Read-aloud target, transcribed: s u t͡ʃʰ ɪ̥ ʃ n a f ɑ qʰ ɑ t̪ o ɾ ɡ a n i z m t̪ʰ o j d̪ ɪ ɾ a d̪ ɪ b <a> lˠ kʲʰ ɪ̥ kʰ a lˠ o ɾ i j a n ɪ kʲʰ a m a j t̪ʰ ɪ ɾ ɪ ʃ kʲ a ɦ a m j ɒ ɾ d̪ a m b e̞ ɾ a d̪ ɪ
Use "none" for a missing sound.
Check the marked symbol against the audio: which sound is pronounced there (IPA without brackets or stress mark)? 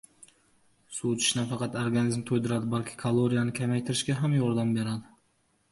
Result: a